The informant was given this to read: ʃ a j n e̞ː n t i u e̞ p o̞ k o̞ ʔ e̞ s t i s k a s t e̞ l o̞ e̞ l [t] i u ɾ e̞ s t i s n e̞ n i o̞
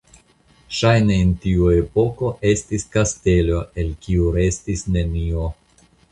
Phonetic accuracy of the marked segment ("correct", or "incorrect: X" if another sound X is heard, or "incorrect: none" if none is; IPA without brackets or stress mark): incorrect: k